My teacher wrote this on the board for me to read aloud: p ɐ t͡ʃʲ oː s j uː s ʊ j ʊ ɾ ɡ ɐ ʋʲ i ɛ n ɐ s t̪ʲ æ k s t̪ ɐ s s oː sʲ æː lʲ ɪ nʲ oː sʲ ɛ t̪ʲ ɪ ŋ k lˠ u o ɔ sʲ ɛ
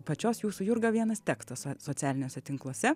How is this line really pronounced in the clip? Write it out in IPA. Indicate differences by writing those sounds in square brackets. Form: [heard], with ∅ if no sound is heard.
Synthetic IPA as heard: p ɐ t͡ʃʲ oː s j uː s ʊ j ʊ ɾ ɡ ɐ ʋʲ i ɛ n ɐ s t̪ʲ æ k s t̪ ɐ s s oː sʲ æː lʲ ɪ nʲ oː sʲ ɛ t̪ʲ ɪ ŋ k lˠ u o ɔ sʲ ɛ